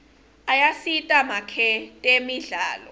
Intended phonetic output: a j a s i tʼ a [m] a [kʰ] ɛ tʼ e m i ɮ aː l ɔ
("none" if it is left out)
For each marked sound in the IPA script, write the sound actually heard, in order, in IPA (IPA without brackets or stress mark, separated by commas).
m, kʰ